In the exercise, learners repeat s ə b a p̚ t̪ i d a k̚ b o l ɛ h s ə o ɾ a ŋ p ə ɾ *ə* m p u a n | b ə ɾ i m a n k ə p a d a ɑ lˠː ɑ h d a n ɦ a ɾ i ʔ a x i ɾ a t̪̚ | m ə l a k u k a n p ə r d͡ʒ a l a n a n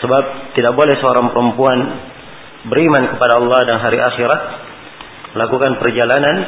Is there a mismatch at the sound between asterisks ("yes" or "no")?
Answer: no